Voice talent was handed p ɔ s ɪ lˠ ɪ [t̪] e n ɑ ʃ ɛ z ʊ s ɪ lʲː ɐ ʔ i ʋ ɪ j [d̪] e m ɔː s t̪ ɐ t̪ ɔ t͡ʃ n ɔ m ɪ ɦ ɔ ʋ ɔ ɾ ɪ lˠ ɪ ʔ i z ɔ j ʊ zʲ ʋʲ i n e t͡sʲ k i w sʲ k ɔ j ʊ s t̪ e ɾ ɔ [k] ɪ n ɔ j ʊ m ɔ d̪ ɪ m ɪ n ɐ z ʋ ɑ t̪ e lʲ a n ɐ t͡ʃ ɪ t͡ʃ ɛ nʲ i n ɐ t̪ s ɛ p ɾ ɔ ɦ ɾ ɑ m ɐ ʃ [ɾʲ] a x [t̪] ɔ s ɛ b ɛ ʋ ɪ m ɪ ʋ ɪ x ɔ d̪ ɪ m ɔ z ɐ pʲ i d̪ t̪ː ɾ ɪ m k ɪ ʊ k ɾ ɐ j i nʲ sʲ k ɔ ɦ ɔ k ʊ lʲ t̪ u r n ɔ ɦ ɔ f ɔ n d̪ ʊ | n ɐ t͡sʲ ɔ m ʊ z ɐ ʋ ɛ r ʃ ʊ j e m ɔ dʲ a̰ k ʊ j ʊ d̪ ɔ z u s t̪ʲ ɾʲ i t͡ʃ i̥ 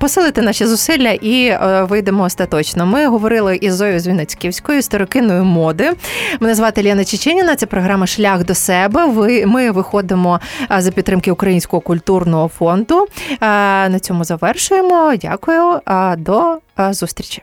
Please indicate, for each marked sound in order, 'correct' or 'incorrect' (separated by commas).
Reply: correct, correct, correct, incorrect, incorrect